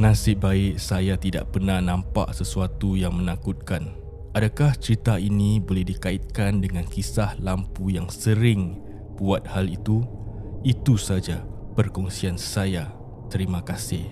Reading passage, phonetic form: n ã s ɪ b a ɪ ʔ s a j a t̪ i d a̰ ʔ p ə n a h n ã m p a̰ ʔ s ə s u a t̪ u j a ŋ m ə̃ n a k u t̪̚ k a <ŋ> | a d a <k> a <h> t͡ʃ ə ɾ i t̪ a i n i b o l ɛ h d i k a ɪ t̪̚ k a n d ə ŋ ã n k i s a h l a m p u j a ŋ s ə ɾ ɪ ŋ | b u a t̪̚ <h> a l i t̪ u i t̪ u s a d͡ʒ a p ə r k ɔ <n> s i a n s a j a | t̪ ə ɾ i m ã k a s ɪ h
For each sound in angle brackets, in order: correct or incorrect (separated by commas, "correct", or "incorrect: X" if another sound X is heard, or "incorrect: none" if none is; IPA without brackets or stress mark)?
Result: incorrect: n, correct, correct, correct, incorrect: ŋ